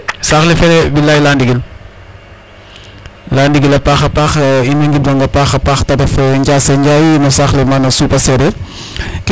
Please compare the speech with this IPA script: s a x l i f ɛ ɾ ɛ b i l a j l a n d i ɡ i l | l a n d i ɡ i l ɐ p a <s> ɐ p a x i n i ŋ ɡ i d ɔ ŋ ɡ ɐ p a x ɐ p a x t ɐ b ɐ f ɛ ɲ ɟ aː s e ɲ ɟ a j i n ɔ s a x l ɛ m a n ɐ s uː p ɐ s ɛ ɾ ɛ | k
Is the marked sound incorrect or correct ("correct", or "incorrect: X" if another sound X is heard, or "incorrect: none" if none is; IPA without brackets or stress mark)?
incorrect: x